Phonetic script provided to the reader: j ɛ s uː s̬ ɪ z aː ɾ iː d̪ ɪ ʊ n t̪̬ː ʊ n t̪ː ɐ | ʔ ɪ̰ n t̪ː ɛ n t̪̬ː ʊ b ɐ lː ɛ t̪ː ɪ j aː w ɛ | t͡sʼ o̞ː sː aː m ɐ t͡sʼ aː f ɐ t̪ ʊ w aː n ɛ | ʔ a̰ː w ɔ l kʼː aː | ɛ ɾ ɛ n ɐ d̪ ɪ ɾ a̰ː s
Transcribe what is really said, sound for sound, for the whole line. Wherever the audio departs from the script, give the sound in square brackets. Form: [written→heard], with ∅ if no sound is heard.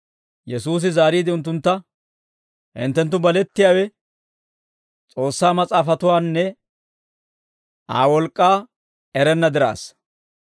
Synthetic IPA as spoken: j ɛ s uː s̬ ɪ z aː ɾ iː d̪ ɪ ʊ n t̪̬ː ʊ n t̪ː ɐ | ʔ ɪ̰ n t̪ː ɛ n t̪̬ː ʊ b ɐ [lː→l] ɛ t̪ː ɪ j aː w ɛ | t͡sʼ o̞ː sː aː m ɐ t͡sʼ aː f ɐ t̪ ʊ w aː [n→nː] ɛ | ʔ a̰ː w ɔ l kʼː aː | ɛ ɾ ɛ [n→nː] ɐ d̪ ɪ ɾ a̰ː s